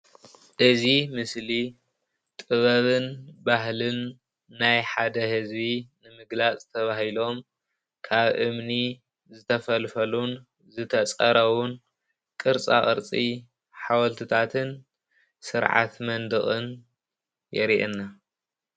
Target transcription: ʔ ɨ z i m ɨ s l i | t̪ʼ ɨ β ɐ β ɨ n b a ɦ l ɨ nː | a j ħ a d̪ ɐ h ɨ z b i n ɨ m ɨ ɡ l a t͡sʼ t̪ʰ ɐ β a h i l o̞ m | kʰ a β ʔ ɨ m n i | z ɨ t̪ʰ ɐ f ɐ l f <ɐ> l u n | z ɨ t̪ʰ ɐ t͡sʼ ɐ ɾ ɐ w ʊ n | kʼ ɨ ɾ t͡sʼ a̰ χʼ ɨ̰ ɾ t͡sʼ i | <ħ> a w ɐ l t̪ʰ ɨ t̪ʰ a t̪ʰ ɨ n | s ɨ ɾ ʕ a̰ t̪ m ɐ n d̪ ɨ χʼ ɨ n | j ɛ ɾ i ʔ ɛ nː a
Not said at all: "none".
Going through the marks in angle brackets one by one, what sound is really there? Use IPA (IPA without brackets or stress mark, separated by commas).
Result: ɐ, ħ